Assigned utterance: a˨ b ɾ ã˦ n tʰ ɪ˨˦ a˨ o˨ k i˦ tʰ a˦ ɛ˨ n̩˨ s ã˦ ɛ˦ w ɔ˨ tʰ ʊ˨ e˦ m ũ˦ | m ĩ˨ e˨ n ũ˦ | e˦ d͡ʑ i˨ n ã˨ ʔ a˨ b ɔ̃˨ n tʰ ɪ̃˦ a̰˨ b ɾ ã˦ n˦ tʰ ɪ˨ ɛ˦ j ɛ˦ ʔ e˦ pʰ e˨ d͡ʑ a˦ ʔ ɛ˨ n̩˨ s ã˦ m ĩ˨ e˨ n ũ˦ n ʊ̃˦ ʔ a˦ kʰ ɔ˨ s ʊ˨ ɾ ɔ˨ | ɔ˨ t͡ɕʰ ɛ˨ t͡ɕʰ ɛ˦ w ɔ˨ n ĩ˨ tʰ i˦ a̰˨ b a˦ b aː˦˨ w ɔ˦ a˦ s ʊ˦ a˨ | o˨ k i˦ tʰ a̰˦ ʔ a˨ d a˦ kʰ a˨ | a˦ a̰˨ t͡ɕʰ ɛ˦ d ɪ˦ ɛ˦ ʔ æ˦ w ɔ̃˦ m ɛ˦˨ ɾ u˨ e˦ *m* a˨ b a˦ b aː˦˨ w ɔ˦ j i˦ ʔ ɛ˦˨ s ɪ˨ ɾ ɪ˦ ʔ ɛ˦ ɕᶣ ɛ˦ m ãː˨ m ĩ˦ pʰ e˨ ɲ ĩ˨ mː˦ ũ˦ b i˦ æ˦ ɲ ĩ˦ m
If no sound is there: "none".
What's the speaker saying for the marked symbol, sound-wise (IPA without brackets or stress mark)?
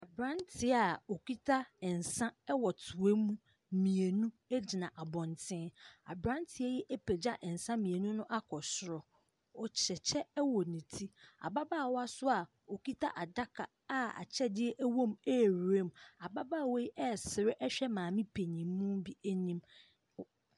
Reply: m